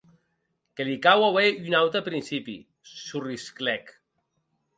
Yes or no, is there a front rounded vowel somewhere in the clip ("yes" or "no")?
yes